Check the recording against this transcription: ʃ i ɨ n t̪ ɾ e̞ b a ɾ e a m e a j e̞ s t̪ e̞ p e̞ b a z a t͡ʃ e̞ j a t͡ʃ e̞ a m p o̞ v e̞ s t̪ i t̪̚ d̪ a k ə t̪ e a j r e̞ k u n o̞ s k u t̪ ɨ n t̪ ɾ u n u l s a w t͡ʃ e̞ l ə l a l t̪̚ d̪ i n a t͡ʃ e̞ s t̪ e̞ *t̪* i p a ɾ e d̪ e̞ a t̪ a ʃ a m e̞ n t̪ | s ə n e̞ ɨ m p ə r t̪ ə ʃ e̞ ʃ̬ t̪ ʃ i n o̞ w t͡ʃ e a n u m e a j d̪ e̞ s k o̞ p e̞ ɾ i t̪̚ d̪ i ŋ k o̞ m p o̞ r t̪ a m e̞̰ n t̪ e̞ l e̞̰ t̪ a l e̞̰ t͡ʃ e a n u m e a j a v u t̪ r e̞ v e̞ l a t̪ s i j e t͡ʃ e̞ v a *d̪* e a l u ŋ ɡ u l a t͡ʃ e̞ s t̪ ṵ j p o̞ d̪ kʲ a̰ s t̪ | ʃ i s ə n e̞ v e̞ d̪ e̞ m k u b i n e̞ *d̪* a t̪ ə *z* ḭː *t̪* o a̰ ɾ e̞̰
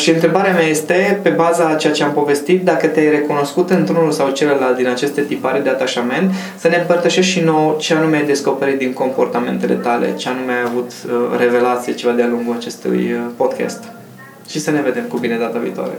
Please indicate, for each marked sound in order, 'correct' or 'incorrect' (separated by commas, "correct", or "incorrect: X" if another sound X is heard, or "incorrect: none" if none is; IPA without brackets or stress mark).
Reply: correct, correct, correct, incorrect: v, correct